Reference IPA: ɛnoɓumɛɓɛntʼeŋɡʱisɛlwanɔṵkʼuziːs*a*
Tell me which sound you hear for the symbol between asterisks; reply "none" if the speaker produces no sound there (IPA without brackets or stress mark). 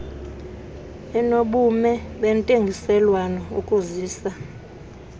a